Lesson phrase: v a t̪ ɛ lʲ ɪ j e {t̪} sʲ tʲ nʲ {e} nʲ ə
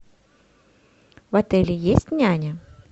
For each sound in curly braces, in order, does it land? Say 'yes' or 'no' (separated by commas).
no, no